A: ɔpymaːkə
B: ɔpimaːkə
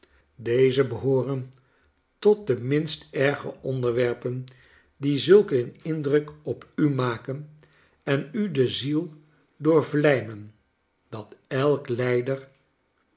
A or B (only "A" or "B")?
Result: A